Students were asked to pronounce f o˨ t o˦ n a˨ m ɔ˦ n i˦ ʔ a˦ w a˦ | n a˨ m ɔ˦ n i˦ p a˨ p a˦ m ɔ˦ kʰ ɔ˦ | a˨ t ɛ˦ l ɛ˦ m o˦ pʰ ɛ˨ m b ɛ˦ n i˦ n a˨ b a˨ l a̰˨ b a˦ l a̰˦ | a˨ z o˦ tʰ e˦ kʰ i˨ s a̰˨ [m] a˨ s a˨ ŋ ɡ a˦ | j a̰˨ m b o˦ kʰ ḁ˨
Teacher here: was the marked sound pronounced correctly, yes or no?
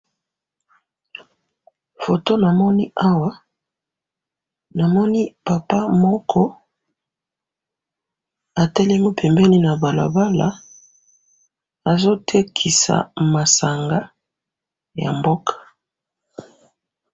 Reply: yes